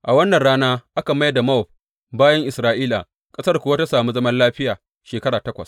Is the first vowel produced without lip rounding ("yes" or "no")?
yes